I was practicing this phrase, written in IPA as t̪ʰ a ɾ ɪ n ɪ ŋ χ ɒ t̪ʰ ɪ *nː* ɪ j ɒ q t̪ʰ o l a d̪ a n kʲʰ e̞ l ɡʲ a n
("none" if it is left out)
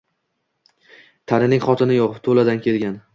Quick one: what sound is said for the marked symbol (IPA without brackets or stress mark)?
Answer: n